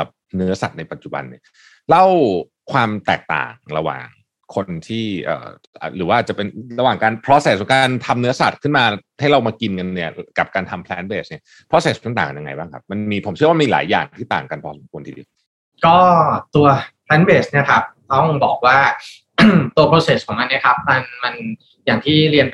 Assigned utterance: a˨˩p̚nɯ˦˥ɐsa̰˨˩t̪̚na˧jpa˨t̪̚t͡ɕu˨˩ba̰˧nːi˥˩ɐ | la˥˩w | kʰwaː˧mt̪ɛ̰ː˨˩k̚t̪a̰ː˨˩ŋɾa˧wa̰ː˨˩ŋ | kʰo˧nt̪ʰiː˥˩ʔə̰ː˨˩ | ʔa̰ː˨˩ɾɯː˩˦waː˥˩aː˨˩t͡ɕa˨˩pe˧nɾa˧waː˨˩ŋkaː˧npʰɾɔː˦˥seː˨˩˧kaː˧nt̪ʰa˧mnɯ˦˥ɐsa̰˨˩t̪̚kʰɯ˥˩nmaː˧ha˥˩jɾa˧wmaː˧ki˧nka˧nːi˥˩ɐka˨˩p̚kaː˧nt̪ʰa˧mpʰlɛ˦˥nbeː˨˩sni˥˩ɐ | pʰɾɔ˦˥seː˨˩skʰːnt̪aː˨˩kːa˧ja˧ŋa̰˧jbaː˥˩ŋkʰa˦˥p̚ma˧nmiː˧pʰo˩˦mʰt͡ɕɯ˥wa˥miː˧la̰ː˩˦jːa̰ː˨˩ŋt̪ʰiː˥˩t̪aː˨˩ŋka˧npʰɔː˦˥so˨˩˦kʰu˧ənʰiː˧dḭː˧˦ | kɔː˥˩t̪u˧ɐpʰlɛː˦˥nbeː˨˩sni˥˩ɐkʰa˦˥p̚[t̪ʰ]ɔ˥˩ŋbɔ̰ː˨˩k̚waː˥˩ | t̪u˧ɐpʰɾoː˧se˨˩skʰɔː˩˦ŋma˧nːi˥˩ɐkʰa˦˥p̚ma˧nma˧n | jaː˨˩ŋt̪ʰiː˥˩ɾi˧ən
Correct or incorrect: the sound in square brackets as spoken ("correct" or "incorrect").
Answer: incorrect